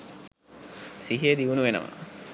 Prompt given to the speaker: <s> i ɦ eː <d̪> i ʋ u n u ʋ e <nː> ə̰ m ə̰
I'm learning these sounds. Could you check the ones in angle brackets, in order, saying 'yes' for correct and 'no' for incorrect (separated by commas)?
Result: yes, yes, no